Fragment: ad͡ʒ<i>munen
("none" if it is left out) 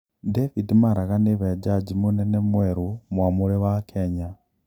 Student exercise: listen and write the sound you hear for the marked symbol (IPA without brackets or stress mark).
i